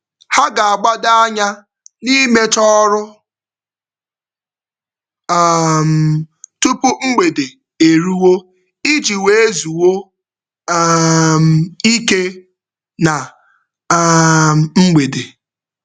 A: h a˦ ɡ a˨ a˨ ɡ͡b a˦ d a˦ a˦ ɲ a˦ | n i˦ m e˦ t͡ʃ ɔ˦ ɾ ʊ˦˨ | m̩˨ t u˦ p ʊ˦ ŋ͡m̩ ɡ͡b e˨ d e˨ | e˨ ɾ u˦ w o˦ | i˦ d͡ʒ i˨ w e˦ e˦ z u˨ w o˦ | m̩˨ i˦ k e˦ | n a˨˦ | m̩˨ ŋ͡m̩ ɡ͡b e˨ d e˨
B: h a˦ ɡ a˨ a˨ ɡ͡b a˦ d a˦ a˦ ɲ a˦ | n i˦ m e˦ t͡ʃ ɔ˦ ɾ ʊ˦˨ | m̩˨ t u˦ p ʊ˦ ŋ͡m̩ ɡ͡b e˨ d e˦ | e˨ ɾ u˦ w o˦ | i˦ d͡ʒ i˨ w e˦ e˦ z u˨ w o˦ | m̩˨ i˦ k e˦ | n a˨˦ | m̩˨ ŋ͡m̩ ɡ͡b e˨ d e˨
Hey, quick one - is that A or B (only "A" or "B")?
A